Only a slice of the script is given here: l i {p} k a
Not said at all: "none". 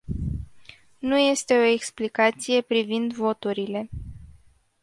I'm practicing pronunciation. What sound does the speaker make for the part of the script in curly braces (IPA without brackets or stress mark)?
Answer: none